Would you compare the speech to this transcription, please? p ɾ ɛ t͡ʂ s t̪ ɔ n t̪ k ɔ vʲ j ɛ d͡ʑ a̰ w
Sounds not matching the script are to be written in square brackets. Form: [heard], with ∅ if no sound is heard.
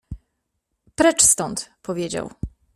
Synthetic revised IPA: p ɾ ɛ t͡ʂ s t̪ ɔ n t̪ [p] ɔ vʲ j [e] d͡ʑ a̰ w